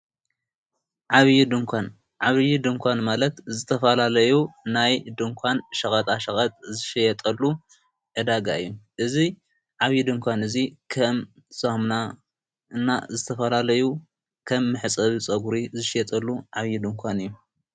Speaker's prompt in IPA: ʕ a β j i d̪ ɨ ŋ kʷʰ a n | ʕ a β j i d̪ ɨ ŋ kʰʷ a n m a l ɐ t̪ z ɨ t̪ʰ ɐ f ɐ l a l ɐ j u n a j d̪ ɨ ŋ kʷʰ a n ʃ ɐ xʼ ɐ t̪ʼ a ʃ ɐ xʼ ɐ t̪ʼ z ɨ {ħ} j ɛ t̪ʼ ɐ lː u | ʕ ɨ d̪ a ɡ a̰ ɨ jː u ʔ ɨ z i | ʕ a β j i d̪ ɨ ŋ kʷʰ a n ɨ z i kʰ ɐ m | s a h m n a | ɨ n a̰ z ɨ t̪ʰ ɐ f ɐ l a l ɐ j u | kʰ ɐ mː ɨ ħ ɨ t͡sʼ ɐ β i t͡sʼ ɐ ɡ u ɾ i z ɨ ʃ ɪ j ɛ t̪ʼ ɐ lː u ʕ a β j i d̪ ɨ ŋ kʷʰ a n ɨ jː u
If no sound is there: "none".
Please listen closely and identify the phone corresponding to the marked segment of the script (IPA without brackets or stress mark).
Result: ʃ